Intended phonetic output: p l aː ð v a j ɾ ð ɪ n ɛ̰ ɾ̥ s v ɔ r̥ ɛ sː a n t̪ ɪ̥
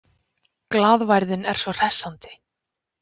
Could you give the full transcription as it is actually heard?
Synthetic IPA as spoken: k l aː ð v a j ɾ ð ɪ n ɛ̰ ɾ̥ s v ɔ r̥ ɛ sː a n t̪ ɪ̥